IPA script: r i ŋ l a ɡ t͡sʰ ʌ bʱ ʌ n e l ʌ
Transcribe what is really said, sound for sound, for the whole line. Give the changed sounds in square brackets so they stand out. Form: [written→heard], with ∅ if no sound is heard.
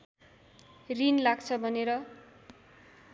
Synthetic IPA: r i [ŋ→n] l a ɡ t͡sʰ ʌ bʱ ʌ n e [l→ɾ] ʌ

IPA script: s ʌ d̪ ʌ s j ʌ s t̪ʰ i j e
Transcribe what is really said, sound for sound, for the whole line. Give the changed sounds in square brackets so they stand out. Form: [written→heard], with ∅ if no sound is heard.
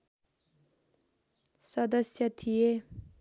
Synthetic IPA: s ʌ d̪ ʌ s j ʌ [s→∅] t̪ʰ i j e

